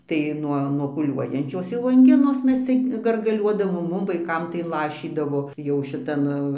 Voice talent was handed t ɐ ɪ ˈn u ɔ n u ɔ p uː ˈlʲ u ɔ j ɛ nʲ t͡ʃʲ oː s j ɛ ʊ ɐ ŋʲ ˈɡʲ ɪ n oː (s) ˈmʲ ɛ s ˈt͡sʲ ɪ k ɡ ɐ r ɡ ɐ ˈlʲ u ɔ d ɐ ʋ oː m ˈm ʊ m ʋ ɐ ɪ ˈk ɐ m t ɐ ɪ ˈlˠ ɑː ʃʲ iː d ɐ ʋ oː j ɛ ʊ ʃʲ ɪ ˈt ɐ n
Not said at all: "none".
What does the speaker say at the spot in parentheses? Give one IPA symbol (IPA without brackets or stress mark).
s